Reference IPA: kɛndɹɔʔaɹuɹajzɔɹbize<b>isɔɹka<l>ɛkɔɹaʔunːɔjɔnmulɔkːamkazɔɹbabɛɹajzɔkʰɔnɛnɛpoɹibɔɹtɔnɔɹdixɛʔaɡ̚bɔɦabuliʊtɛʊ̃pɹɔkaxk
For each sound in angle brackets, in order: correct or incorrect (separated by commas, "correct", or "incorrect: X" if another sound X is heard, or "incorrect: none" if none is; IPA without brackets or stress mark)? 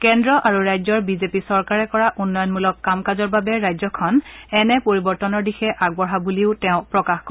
incorrect: p, incorrect: ɹ